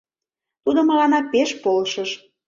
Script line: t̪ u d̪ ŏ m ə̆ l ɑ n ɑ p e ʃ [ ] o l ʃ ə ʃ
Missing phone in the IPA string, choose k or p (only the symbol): p